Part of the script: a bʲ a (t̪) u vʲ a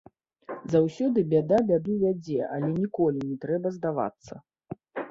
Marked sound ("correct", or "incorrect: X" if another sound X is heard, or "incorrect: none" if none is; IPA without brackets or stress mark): incorrect: d̪